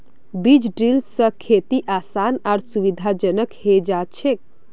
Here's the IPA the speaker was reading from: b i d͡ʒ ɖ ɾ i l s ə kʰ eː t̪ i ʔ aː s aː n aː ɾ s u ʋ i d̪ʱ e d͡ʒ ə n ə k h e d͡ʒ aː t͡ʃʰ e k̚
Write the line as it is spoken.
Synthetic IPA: b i d͡ʒ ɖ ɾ i l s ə kʰ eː t̪ i ʔ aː s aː n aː ɾ s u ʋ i d̪ʱ a d͡ʒ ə n ə k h e d͡ʒ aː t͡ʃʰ e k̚